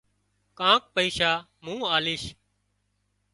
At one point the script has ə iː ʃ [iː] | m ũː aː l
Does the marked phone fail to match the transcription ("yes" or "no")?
yes